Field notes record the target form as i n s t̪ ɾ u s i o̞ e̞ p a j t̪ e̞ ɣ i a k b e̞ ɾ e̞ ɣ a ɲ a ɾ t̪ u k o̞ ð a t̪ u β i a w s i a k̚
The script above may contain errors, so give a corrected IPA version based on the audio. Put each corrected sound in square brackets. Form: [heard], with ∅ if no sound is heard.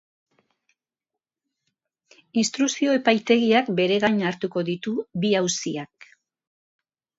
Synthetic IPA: i n s t̪ ɾ u s i o̞ e̞ p a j t̪ e̞ ɣ i a k b e̞ ɾ e̞ ɣ a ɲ a ɾ t̪ u k o̞ ð [i] t̪ u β i a w s i a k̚